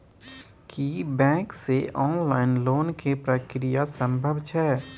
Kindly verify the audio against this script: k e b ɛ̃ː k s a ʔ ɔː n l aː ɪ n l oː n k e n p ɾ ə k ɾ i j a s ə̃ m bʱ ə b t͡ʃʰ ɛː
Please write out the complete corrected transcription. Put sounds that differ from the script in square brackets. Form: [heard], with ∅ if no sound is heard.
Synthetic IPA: k [i] b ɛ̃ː k s [e] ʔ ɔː n l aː ɪ n l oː n k e [∅] p ɾ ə k ɾ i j a s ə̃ m bʱ ə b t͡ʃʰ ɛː